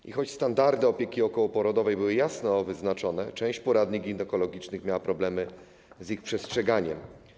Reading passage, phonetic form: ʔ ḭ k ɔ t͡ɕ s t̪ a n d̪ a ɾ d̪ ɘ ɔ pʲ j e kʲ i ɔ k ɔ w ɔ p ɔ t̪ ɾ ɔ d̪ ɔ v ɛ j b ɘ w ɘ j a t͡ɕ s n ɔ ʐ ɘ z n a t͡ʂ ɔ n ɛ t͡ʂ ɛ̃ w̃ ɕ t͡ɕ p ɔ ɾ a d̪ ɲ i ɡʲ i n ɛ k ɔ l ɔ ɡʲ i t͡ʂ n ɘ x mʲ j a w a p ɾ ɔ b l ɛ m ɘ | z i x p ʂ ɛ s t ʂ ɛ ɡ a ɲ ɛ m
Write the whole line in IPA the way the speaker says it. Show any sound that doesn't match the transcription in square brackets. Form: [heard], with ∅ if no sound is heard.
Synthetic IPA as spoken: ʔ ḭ [x] ɔ t͡ɕ s t̪ a n d̪ a ɾ d̪ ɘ ɔ pʲ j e kʲ i ɔ k ɔ w ɔ p ɔ [∅] ɾ ɔ d̪ ɔ v ɛ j b ɘ w ɘ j a [∅] s n ɔ [v] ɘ z n a t͡ʂ ɔ n ɛ t͡ʂ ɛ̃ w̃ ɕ t͡ɕ p ɔ ɾ a d̪ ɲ i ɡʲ i n ɛ k ɔ l ɔ ɡʲ i t͡ʂ n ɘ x mʲ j a w a p ɾ ɔ b l ɛ m ɘ | z i x p ʂ ɛ s t ʂ ɛ ɡ a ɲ ɛ m